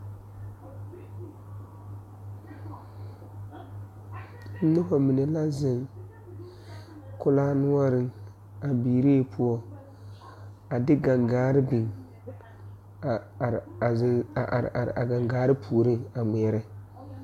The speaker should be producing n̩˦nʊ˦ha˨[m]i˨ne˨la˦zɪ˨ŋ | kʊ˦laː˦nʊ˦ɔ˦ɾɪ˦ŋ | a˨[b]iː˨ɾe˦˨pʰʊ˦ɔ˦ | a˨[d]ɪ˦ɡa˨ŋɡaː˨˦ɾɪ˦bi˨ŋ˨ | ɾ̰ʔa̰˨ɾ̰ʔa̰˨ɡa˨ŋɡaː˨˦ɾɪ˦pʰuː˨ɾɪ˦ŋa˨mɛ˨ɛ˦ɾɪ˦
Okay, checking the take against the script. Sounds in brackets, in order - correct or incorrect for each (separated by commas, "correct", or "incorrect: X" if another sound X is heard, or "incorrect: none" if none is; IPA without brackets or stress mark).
correct, correct, correct